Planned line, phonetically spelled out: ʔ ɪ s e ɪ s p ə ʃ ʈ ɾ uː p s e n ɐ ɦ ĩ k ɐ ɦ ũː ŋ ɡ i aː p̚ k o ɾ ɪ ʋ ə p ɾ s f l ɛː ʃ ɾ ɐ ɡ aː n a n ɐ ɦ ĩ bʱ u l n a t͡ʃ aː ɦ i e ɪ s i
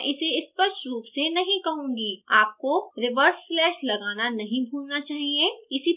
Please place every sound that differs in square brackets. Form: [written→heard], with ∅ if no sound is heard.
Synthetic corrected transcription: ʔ ɪ s e ɪ s p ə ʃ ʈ ɾ uː p s e n ɐ ɦ ĩ k ɐ ɦ ũː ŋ ɡ i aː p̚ k o ɾ ɪ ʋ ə [p→∅] ɾ s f l ɛː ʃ [ɾ→l] ɐ ɡ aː n a n ɐ ɦ ĩ bʱ [u→uː] l n a t͡ʃ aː ɦ i e ɪ s i